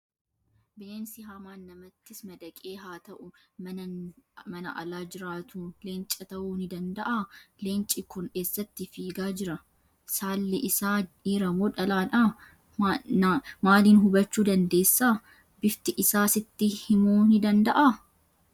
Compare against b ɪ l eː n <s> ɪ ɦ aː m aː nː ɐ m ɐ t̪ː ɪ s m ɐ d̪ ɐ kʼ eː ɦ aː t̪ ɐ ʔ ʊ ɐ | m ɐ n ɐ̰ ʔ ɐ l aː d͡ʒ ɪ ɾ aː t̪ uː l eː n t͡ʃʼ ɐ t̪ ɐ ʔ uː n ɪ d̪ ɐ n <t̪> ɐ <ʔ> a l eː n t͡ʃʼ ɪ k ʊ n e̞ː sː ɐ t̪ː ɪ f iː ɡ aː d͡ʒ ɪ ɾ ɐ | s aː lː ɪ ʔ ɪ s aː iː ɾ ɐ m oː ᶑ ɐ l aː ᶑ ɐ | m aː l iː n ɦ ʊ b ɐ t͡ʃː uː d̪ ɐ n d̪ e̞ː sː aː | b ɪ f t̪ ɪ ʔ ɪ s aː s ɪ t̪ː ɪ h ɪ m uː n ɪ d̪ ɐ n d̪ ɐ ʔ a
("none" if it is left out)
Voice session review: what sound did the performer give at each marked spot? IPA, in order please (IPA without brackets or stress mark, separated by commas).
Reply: s, d̪, ʔ